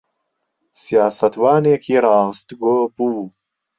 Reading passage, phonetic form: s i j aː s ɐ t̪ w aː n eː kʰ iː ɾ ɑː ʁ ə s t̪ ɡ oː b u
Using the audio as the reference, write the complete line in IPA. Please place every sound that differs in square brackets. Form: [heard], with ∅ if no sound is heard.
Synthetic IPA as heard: s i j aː s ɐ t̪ w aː n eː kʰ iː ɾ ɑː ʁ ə s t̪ ɡ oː b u